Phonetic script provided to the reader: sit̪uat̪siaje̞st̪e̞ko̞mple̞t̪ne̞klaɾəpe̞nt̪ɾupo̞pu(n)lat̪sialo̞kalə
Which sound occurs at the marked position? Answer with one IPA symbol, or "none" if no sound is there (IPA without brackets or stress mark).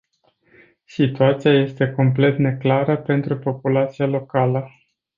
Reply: none